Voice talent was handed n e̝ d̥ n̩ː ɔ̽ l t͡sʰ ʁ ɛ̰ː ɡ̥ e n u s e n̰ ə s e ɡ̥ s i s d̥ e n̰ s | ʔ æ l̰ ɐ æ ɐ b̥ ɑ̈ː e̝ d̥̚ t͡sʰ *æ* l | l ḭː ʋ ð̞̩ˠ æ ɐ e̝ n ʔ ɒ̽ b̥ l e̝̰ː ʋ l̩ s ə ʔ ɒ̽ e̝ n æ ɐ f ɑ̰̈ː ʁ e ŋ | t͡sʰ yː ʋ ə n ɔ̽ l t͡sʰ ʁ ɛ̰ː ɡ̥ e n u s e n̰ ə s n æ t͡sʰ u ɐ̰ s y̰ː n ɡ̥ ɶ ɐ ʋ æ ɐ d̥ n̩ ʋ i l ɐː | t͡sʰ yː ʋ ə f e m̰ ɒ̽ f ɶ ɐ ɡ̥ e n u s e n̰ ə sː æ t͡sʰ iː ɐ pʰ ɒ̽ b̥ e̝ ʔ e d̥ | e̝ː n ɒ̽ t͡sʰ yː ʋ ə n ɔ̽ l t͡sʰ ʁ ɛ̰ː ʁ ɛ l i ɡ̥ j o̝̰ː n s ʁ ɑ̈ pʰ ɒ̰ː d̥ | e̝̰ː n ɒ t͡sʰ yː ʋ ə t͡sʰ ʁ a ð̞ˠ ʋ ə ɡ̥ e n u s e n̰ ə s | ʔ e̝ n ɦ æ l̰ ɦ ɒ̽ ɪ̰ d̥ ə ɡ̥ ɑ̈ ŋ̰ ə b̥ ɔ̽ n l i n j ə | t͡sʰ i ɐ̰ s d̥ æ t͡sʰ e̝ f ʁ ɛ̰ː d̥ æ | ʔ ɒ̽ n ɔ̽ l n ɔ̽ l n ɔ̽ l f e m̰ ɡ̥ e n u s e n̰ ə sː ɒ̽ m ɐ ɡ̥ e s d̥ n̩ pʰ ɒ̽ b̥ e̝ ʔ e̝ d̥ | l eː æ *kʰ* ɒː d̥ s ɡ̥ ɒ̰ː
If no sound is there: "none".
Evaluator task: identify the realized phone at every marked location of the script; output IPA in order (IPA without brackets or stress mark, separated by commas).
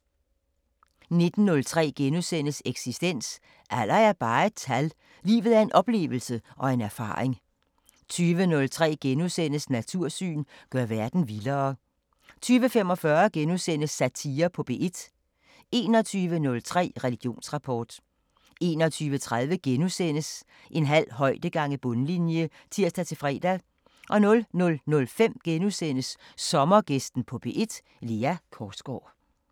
æ, kʰ